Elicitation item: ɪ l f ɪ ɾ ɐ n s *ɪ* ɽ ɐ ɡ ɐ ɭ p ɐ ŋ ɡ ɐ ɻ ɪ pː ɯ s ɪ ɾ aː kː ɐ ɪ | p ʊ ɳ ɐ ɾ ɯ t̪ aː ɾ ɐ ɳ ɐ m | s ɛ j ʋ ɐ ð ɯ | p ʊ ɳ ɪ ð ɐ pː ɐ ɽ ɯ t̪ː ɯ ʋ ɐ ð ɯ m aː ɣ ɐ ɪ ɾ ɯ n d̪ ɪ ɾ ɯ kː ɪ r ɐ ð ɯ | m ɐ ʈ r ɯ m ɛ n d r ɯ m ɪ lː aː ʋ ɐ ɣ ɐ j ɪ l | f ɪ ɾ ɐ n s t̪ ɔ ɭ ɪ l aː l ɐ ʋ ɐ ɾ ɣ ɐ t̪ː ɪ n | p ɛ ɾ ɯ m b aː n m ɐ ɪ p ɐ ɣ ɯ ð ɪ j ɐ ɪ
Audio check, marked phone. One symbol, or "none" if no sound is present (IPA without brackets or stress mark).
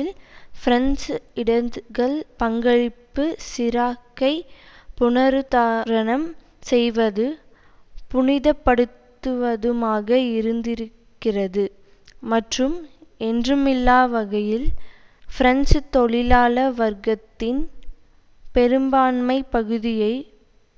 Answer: ɪ